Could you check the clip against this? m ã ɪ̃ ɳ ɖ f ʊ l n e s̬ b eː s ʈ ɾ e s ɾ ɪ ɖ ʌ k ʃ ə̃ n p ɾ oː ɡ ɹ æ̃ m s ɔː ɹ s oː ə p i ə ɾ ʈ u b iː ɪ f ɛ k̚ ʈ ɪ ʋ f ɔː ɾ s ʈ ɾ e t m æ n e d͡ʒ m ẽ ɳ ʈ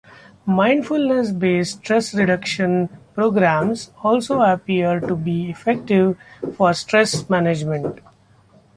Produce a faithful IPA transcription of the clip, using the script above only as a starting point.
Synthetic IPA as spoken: m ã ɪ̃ ɳ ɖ f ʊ l n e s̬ b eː s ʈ ɾ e s ɾ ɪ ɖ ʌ k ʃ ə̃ n p ɾ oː ɡ ɾ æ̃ m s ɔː l s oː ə p i ə ɾ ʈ u b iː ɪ f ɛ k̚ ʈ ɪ ʋ f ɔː ɾ s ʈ ɾ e s m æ n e d͡ʒ m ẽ ɳ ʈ